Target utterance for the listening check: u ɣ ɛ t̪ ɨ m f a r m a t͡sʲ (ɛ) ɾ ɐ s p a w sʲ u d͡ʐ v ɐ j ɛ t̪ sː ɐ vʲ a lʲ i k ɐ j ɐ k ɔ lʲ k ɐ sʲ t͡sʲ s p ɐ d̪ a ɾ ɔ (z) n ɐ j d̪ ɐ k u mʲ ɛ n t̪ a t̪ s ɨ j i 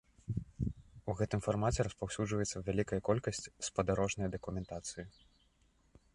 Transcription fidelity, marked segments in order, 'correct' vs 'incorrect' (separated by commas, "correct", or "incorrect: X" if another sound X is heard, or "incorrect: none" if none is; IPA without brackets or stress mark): correct, incorrect: ʐ